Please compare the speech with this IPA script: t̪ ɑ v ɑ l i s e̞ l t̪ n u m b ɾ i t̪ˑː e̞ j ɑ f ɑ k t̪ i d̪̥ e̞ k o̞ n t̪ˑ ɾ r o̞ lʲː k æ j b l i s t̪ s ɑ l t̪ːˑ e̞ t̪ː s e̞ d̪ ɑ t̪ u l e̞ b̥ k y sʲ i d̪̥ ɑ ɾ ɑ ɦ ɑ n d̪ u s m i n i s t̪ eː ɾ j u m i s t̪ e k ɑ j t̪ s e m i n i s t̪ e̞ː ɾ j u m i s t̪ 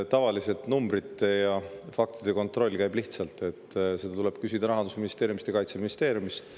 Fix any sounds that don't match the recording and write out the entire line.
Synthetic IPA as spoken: t̪ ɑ v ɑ l i s e̞ l t̪ n u m b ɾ i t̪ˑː e̞ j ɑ f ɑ k t̪ i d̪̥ e̞ k o̞ n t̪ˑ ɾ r o̞ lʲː k æ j b l i h t̪ s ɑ l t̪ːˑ e̞ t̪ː s e̞ d̪ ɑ t̪ u l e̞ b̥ k y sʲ i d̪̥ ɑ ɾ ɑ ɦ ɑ n d̪ u s m i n i s t̪ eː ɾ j u m i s t̪ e k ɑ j t̪ s e m i n i s t̪ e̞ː ɾ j u m i s t̪